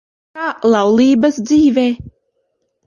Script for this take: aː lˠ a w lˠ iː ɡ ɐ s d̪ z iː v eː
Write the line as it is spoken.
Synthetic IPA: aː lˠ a w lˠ iː b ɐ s d̪ z iː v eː